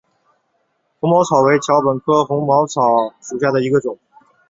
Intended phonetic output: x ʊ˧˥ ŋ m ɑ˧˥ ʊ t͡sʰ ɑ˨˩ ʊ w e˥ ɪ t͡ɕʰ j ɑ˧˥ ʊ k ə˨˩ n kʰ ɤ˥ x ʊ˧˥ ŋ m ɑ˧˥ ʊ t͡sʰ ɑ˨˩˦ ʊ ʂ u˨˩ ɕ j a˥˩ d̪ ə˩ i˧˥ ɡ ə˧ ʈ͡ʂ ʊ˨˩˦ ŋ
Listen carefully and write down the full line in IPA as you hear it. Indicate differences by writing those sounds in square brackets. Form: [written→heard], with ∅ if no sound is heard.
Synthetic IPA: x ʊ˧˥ ŋ m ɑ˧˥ ʊ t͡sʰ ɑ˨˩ ʊ w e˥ ɪ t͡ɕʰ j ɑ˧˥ ʊ [k→p] ə˨˩ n kʰ ɤ˥ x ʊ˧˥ ŋ m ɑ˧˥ ʊ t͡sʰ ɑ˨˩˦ ʊ ʂ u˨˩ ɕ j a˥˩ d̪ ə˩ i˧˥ ɡ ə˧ ʈ͡ʂ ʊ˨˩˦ ŋ